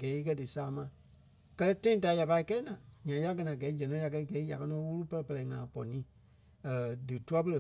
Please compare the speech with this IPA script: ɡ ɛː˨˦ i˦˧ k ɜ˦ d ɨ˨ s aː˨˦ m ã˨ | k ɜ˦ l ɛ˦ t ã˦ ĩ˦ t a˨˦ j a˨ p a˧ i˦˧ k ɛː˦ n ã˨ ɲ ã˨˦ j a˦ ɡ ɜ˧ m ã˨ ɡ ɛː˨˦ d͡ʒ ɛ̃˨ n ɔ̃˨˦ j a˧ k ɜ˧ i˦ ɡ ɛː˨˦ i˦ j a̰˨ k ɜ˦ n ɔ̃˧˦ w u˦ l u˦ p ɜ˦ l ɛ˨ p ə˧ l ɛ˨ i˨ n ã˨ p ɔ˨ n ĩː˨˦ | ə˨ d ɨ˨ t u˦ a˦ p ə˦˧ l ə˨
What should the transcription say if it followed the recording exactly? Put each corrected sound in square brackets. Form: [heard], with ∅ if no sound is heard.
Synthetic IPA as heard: ɡ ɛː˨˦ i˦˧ k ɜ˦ d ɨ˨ s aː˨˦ m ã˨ | k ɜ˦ l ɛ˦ t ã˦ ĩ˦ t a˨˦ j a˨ p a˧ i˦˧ k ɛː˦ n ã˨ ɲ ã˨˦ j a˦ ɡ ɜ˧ [n] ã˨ ɡ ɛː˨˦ d͡ʒ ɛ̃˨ n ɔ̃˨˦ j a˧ k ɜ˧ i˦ ɡ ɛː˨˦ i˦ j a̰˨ k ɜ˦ n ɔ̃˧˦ w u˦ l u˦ p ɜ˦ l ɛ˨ p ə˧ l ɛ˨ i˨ [ŋ] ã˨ p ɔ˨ n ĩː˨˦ | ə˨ d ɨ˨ t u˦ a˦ p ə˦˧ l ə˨